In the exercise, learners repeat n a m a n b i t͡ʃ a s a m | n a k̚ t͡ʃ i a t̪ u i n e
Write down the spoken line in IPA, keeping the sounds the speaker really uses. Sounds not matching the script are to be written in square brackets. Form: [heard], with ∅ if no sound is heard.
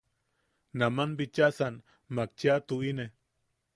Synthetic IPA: n a m a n b i t͡ʃ a s a [n] | [m] a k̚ t͡ʃ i a t̪ u i n e